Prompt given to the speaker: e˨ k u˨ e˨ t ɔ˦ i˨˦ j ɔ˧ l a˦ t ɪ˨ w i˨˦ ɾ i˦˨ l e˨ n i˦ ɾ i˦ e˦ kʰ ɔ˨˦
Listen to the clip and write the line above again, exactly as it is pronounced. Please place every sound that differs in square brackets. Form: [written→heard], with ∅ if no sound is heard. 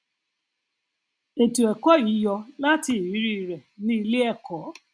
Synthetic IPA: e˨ [k→t] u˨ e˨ [t→k] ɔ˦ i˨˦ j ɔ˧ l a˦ t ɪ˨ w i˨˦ ɾ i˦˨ [l→ɾ] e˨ n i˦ [ɾ→l] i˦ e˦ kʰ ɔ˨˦